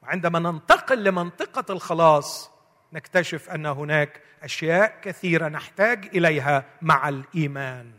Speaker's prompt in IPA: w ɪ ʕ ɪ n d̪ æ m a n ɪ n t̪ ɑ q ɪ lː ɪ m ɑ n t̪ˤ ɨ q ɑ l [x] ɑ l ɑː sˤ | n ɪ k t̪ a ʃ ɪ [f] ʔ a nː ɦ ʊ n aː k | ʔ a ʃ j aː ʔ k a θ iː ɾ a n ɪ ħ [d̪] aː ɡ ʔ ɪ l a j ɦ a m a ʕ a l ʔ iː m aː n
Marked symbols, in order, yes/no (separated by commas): yes, yes, no